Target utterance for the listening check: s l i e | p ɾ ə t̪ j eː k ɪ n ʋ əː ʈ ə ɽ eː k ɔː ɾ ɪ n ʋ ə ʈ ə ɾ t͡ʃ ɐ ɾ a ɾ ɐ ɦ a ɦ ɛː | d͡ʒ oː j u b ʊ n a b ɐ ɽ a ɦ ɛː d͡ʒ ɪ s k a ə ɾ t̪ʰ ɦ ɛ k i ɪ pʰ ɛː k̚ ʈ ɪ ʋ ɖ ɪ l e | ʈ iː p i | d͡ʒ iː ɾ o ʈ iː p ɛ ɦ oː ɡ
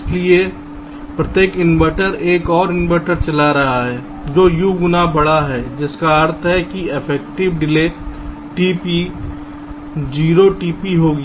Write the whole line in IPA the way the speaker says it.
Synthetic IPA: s l i e | p ɾ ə t̪ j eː k ɪ n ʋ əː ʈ ə ɾ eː k ɔː ɾ ɪ n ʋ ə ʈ ə ɾ t͡ʃ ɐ l a ɾ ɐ ɦ a ɦ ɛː | d͡ʒ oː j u ɡ ʊ n a b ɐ ɽ a ɦ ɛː d͡ʒ ɪ s k a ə ɾ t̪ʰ ɦ ɛ k i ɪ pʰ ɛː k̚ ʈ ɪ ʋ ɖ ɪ l e | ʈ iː p i | d͡ʒ iː ɾ o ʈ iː p i ɦ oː ɡ